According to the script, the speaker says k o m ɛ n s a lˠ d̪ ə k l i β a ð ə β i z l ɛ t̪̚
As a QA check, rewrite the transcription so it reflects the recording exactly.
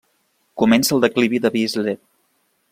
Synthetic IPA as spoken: k u m ɛ n s ə lˠ d̪ ə k l i β i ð ə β i z l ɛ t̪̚